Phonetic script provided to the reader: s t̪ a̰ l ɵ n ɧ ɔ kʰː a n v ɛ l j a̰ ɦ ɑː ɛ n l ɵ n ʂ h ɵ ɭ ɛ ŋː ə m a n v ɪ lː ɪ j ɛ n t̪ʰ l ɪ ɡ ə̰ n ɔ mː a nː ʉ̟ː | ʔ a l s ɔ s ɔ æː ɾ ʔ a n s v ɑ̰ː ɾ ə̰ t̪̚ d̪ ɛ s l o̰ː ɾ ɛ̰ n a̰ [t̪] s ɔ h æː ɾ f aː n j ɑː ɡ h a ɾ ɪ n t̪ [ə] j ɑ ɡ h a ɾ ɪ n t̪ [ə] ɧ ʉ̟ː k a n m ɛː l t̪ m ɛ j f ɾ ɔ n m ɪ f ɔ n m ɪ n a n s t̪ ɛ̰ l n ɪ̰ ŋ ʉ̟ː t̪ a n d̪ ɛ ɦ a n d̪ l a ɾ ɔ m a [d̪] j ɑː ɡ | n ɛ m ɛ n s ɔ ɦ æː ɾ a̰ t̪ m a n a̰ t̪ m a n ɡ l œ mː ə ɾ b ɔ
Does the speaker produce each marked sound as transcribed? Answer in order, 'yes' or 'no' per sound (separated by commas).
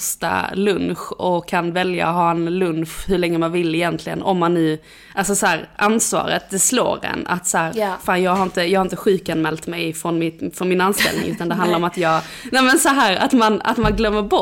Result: yes, yes, yes, no